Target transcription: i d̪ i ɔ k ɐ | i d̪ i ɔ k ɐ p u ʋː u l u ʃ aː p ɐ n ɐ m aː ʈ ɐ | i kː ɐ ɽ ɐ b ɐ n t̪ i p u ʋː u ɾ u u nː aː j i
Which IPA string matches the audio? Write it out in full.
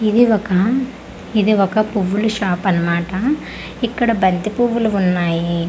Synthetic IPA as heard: i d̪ i ɔ k ɐ | i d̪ i ɔ k ɐ p u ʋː u l u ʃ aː p ɐ n ɐ m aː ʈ ɐ | i kː ɐ ɽ ɐ b ɐ n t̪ i p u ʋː u l u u nː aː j i